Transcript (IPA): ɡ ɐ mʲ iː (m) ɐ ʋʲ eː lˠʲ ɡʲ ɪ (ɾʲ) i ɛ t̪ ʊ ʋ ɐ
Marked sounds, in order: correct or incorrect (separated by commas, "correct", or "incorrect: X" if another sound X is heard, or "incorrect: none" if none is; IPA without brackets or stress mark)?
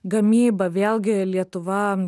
incorrect: b, incorrect: lʲ